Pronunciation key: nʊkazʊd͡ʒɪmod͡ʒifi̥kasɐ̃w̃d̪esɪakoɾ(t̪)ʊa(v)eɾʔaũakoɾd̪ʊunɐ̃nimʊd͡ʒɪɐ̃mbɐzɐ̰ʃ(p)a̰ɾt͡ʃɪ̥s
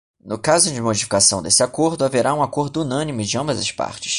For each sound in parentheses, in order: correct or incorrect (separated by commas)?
incorrect, correct, correct